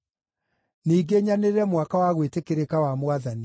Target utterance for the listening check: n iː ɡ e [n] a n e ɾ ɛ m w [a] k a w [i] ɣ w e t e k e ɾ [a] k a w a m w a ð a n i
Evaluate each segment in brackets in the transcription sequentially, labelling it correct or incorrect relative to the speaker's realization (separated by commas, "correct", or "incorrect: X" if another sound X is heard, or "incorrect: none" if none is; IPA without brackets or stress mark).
incorrect: ɲ, correct, incorrect: a, incorrect: e